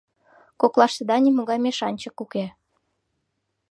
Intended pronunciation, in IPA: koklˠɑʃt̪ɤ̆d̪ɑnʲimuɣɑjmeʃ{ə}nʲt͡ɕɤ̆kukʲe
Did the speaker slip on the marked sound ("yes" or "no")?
yes